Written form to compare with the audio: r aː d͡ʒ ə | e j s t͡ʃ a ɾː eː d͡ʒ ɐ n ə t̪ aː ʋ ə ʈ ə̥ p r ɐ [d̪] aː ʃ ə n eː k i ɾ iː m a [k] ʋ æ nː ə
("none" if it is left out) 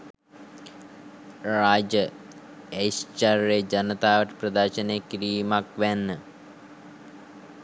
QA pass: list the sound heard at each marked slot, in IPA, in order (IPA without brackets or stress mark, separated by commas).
d̪, k